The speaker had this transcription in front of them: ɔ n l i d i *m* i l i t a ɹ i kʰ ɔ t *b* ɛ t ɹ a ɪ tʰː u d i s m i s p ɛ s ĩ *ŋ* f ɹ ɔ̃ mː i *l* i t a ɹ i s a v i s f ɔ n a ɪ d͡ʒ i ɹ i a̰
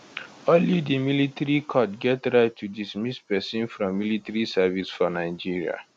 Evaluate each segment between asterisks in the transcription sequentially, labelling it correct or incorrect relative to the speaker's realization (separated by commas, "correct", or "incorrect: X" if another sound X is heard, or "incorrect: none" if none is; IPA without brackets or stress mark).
correct, incorrect: ɡ, incorrect: n, correct